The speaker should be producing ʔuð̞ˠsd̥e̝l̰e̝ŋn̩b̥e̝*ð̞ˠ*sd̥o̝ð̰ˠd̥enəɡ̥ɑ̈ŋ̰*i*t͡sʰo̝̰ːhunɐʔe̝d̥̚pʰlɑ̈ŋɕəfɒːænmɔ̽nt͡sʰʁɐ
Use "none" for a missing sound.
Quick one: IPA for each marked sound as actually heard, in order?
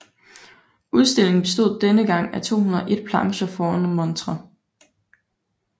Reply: none, æ

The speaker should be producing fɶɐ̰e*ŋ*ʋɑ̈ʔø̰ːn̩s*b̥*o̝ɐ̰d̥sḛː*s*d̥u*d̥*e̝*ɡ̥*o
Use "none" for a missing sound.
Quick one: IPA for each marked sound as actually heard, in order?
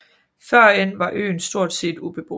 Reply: n, d̥, none, b̥, b̥

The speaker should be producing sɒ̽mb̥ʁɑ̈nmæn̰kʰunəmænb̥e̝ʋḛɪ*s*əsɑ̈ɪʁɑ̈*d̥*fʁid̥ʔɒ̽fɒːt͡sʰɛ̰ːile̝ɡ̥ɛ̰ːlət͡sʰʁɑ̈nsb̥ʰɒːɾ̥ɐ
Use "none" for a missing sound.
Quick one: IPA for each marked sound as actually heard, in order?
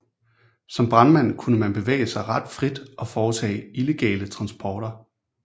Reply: none, d̥

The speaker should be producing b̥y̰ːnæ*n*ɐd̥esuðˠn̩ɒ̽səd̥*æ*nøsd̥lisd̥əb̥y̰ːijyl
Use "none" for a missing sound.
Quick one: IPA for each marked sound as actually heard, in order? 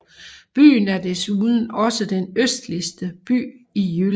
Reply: none, e

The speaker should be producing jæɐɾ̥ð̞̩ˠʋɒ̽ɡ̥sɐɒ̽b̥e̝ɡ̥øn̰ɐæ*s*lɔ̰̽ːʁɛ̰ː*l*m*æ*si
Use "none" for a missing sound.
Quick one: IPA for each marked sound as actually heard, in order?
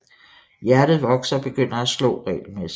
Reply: s, l, e

